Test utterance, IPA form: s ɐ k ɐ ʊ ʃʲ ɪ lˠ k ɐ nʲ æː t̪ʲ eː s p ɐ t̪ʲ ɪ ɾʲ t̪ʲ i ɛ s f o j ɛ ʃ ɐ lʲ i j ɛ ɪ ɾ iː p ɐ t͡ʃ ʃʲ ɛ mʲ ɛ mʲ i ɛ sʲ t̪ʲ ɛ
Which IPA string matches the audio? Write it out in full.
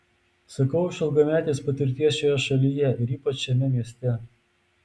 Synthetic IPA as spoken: s ɐ k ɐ ʊ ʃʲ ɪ lˠ ɡ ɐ mʲ æː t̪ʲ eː s p ɐ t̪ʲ ɪ ɾʲ t̪ʲ i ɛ s ʃ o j ɛ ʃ ɐ lʲ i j ɛ ɪ ɾ iː p ɐ t͡ʃ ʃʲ ɛ mʲ ɛ mʲ i ɛ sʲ t̪ʲ ɛ